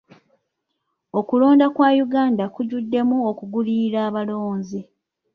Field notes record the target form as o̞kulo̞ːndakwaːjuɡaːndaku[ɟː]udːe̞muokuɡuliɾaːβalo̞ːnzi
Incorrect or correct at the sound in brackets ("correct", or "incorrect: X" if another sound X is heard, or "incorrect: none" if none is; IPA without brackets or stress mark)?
incorrect: ɟ